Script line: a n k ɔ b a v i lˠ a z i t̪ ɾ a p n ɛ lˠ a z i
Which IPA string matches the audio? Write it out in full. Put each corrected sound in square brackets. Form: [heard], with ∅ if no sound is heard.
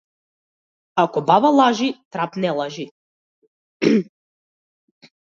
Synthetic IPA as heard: a [∅] k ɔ b a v [a] lˠ a [ʒ] i t̪ ɾ a p n ɛ lˠ a [ʒ] i